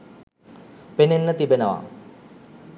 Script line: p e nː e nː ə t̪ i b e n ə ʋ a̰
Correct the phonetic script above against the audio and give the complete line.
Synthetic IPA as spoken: p e n e nː ə t̪ i b e n ə ʋ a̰